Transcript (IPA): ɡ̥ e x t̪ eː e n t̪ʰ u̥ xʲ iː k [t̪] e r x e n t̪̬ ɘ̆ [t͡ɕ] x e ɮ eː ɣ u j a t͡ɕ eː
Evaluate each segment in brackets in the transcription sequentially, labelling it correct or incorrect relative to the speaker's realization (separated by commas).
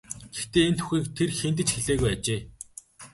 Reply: incorrect, correct